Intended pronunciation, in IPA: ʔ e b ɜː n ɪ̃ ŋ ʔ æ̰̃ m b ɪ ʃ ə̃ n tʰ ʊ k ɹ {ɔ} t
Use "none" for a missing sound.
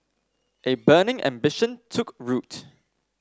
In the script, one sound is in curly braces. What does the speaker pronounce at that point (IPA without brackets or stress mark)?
u